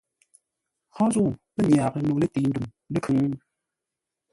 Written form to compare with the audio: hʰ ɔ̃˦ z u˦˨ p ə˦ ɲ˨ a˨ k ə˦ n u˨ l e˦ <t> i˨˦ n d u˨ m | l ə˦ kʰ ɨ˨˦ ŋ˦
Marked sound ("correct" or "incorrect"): correct